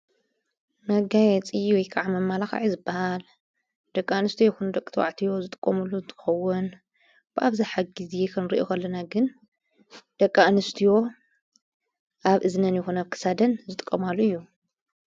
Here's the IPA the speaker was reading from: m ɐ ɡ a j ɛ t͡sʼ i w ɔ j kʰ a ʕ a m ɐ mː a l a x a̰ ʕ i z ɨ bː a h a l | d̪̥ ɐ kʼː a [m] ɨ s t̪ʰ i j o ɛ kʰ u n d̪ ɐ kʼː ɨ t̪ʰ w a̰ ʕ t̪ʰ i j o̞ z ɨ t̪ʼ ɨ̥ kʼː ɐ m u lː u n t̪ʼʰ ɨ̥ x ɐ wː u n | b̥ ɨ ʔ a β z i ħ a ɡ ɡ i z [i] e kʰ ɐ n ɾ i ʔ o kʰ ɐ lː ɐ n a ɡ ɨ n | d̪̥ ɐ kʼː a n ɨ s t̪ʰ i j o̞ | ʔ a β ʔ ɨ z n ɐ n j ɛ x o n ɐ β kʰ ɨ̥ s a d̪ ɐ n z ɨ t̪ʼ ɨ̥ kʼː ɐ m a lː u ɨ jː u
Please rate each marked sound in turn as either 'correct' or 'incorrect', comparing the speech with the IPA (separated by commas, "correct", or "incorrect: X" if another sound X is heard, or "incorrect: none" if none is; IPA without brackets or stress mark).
incorrect: n, incorrect: j